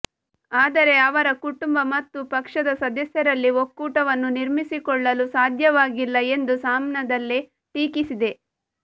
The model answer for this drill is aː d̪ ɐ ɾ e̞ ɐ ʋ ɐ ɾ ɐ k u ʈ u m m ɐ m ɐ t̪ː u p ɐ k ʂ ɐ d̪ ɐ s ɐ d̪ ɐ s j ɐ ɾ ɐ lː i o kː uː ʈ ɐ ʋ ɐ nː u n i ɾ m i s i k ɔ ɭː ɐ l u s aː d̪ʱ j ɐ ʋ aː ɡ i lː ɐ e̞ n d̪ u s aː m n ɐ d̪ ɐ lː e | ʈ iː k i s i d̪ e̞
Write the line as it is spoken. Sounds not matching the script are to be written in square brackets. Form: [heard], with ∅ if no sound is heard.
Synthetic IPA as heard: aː d̪ ɐ ɾ e̞ ɐ ʋ ɐ ɾ ɐ k u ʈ u m [b] ɐ m ɐ t̪ː u p ɐ k ʂ ɐ d̪ ɐ s ɐ d̪ ɐ s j ɐ ɾ ɐ lː i o kː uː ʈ ɐ ʋ ɐ nː u n i ɾ m i s i k ɔ ɭː ɐ l u s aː d̪ʱ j ɐ ʋ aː ɡ i lː ɐ e̞ n d̪ u s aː m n ɐ d̪ ɐ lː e | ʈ iː k i s i d̪ e̞

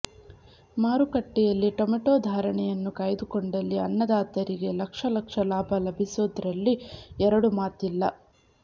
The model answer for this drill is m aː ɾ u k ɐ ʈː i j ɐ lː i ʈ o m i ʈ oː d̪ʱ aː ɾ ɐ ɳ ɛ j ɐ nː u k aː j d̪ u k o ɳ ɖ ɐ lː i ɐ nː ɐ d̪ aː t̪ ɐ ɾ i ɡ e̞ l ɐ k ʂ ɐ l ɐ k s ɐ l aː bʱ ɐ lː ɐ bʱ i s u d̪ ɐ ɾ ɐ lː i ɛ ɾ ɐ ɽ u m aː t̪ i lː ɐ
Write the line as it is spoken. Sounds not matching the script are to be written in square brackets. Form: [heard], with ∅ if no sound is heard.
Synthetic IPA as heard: m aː ɾ u k ɐ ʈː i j ɐ lː i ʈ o m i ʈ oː d̪ʱ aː ɾ ɐ ɳ ɛ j ɐ nː u k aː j d̪ u k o ɳ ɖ ɐ lː i ɐ nː ɐ d̪ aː t̪ ɐ ɾ i ɡ e̞ l ɐ k ʂ ɐ l ɐ k [ʂ] ɐ l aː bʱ ɐ [l] ɐ bʱ i s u d̪ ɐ ɾ ɐ lː i ɛ ɾ ɐ ɽ u m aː t̪ i lː ɐ

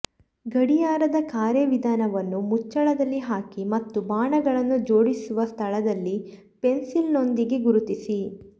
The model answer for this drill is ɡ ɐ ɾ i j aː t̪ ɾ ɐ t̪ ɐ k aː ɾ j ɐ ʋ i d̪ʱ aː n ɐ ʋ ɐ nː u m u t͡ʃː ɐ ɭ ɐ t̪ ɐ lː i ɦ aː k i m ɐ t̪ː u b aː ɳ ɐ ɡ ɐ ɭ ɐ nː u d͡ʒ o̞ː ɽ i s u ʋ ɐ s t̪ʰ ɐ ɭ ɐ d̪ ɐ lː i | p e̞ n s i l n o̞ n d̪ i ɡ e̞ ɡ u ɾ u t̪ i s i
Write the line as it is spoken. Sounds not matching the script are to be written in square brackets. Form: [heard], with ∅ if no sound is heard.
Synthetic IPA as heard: ɡ ɐ [ɽ] i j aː [∅] ɾ ɐ [d̪] ɐ k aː ɾ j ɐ ʋ i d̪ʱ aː n ɐ ʋ ɐ nː u m u t͡ʃː ɐ ɭ ɐ [d̪] ɐ lː i ɦ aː k i m ɐ t̪ː u b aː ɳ ɐ ɡ ɐ ɭ ɐ nː u d͡ʒ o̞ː ɽ i s u ʋ ɐ s t̪ʰ ɐ ɭ ɐ d̪ ɐ lː i | p e̞ n s i l n o̞ n d̪ i ɡ e̞ ɡ u ɾ u t̪ i s i

